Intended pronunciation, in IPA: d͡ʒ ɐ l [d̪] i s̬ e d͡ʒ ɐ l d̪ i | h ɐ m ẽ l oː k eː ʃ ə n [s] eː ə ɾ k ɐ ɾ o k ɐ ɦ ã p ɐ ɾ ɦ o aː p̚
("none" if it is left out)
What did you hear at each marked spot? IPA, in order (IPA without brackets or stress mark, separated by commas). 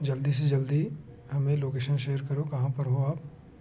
d̪, ʃ